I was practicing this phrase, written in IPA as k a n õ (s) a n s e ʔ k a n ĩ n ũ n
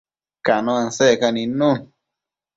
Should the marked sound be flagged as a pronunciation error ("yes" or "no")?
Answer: yes